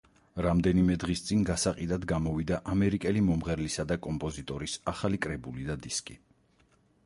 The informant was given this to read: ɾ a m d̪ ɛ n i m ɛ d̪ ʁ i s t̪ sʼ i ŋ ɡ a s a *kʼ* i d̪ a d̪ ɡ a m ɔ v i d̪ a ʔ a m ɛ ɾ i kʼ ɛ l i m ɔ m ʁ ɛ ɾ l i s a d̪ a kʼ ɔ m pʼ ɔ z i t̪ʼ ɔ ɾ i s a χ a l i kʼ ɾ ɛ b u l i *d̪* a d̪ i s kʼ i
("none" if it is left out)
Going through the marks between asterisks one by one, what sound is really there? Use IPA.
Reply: qʼ, d̪

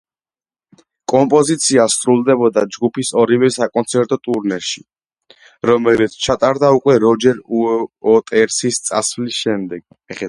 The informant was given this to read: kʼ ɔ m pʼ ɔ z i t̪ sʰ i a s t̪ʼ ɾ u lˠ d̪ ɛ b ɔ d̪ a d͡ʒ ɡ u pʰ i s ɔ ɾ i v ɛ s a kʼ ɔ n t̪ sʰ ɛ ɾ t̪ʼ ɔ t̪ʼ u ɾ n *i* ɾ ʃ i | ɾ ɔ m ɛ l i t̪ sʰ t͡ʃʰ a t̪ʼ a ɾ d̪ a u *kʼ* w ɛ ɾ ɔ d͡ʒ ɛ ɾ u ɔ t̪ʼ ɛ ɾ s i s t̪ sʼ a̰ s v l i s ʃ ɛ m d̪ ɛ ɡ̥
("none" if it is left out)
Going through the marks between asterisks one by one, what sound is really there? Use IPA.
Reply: ɛ, kʼ

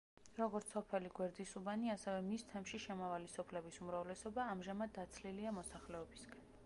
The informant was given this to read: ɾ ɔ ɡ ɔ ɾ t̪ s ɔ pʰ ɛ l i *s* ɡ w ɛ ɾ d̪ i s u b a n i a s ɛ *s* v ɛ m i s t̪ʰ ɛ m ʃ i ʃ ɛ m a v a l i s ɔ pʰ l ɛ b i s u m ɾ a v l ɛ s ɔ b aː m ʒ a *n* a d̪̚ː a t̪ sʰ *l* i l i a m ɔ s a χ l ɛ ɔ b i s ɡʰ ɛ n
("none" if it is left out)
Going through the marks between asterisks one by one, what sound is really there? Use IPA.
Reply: none, none, m, l

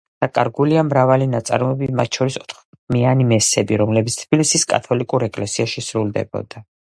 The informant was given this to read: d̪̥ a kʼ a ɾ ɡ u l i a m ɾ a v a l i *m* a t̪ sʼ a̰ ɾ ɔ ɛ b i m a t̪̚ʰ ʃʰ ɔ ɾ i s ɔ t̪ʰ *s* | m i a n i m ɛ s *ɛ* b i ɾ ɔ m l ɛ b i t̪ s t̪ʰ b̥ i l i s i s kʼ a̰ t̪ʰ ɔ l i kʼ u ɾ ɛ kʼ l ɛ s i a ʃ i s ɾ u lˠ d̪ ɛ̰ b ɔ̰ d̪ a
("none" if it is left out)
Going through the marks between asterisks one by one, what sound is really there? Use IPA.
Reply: n, χ, ɛ

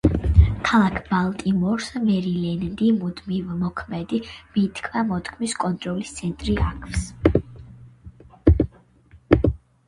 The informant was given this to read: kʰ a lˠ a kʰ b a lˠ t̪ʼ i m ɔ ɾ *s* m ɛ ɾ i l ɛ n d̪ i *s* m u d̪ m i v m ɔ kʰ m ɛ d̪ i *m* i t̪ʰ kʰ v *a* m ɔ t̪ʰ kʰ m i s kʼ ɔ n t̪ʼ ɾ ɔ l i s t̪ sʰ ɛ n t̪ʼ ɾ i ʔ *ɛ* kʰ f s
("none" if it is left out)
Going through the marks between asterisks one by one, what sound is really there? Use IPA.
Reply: s, none, m, a, a

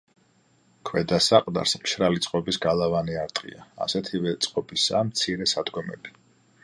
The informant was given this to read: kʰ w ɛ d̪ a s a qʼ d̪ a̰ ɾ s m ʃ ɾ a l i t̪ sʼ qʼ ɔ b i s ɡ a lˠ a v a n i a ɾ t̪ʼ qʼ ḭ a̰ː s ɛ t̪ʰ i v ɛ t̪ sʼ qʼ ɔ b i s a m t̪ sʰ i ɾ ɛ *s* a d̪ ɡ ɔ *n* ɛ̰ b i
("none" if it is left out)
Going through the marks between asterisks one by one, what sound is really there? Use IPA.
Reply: s, m

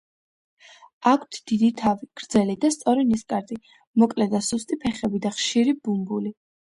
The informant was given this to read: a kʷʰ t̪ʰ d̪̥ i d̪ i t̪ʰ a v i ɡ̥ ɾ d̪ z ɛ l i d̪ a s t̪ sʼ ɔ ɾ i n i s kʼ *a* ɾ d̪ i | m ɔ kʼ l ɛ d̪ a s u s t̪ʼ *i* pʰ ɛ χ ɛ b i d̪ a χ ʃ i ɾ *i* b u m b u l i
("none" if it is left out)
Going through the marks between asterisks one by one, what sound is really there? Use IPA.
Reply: a, i, i

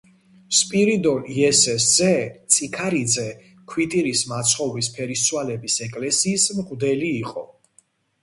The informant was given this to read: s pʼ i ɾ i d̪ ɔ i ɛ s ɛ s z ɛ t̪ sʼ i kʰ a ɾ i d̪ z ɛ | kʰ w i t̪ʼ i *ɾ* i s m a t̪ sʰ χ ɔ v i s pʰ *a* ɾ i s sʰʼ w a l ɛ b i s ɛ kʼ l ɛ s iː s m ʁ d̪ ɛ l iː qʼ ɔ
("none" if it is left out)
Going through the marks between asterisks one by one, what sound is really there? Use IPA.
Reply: ɾ, ɛ

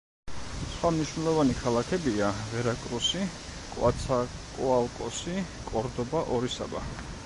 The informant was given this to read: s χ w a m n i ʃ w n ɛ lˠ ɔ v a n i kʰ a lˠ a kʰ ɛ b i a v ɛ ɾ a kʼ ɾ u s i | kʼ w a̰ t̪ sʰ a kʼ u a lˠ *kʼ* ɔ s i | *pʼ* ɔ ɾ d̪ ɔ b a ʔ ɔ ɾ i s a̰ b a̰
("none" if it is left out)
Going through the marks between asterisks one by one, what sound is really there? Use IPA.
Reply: kʼ, kʼ

